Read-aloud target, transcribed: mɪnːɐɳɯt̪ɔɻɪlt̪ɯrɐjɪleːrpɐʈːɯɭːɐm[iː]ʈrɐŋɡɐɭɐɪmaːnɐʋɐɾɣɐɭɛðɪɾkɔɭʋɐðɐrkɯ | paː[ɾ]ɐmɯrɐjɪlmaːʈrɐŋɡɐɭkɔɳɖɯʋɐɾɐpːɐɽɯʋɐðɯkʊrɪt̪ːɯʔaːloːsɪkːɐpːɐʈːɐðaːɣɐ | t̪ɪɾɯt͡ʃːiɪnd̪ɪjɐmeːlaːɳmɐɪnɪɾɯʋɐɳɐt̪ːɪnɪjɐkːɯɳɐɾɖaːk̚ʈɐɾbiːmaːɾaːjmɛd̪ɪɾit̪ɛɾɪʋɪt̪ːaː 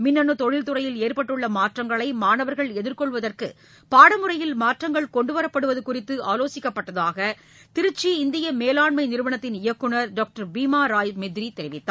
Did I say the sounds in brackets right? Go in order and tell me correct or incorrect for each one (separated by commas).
incorrect, incorrect